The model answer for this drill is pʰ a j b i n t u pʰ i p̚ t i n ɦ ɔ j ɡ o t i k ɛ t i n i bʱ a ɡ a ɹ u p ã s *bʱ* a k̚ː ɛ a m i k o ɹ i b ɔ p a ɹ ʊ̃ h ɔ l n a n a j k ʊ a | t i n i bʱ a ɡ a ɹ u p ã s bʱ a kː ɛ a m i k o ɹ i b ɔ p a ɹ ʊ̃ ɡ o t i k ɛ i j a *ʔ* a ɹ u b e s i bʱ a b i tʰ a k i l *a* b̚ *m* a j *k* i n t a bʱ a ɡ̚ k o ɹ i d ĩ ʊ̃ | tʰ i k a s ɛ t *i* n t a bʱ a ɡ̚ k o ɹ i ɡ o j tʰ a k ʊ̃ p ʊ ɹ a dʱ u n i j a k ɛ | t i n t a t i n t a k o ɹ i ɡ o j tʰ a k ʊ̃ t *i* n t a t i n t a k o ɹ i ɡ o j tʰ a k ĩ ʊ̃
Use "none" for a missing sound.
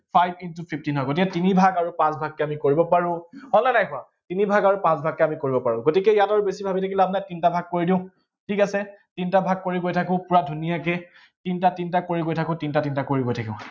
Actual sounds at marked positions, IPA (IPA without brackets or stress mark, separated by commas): bʱ, t, a, n, t, i, i